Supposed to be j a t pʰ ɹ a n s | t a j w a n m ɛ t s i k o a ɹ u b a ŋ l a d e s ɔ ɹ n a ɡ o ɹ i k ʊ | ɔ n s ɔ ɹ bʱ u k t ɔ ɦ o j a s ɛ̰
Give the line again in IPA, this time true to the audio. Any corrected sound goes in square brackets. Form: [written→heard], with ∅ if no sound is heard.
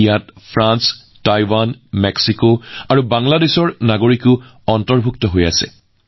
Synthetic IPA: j a t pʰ ɹ a n s | t a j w a n m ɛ [t→k] s i k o a ɹ u b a ŋ l a d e s ɔ ɹ n a ɡ o ɹ i k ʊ | ɔ n [s→t] ɔ ɹ bʱ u k t ɔ ɦ o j a s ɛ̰